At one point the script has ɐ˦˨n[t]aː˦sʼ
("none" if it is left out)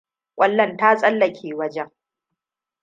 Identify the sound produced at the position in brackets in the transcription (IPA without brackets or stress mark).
t